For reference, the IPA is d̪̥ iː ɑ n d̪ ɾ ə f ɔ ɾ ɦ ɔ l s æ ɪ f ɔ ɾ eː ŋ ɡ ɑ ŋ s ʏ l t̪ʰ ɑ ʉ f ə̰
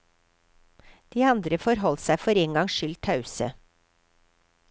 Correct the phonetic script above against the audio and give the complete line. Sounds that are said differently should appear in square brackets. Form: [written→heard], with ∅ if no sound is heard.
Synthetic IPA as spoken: d̪̥ iː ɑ n d̪ ɾ ə f ɔ ɾ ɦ ɔ l s æ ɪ f ɔ ɾ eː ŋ ɡ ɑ ŋ [s→ʃ] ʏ l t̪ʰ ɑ ʉ [f→s] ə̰

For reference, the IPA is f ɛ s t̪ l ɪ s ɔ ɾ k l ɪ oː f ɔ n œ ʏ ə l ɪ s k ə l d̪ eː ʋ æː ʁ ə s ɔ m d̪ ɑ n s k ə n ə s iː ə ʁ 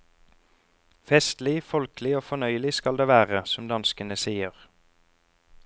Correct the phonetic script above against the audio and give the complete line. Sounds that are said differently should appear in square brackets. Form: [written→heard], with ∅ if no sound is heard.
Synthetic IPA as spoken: f ɛ s t̪ l ɪ [s→f] ɔ [ɾ→l] k l ɪ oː f ɔ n œ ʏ ə l ɪ s k [ə→ɑ] l d̪ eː ʋ æː ʁ ə s ɔ m d̪ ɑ n s k ə n ə s iː ə ʁ

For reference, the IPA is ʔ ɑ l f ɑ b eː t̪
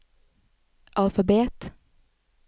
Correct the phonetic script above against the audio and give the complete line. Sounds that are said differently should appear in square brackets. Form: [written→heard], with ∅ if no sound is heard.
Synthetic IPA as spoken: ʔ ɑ l f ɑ b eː t̪

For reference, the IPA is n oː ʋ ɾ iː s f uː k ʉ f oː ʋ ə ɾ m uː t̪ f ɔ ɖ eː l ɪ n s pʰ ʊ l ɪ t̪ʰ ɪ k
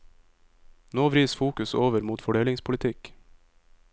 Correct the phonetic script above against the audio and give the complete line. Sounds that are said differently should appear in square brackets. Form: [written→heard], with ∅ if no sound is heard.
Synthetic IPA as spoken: n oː ʋ ɾ iː s f uː k ʉ [f→s] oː ʋ ə ɾ m uː t̪ f ɔ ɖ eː l ɪ [n→ŋ] s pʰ ʊ l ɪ t̪ʰ ɪ k

